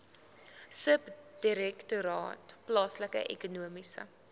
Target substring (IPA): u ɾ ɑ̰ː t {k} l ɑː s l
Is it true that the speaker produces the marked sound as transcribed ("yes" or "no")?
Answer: no